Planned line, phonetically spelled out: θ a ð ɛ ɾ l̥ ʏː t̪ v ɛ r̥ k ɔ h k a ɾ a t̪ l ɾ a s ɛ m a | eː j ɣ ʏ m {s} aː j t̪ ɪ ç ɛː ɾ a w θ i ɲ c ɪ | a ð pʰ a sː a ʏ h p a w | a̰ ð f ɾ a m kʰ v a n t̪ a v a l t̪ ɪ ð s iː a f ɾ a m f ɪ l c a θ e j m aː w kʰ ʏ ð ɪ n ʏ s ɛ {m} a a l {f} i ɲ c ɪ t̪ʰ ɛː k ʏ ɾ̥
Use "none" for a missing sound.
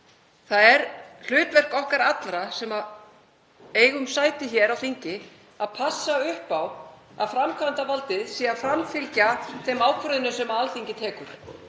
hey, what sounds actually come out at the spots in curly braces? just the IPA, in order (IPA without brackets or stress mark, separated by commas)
s, m, θ